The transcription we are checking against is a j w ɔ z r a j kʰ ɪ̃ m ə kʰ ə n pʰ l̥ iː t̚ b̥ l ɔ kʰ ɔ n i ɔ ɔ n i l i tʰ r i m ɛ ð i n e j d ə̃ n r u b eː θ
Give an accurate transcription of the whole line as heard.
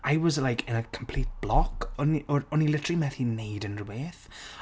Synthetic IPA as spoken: a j w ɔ z l a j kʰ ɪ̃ n ə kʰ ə m pʰ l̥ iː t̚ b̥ l ɔ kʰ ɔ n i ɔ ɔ n i l ɪ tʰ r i m ɛ θ i n e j d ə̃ n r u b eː θ